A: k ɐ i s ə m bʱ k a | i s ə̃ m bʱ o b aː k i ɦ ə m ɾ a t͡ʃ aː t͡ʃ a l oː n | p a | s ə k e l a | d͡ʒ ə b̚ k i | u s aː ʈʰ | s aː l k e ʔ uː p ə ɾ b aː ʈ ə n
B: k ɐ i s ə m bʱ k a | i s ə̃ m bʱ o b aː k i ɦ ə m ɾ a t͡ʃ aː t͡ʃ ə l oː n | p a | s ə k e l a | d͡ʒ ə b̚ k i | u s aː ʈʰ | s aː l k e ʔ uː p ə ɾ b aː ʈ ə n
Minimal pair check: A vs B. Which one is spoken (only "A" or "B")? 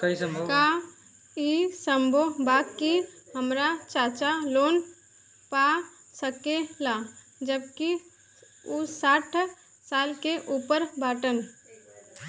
A